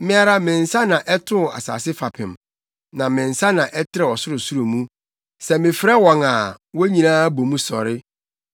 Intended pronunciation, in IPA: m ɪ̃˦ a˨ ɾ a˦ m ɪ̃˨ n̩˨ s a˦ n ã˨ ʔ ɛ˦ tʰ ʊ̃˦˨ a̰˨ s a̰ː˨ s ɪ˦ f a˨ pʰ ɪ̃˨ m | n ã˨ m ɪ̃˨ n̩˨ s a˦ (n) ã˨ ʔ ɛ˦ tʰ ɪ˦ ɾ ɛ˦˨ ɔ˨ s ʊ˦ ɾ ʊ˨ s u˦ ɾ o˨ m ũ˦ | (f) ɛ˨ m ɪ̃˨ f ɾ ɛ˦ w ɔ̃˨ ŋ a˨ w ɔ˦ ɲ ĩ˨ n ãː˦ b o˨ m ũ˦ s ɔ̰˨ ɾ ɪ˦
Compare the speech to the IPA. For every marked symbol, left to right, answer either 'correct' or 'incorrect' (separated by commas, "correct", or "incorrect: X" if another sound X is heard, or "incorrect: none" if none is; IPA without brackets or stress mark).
correct, incorrect: s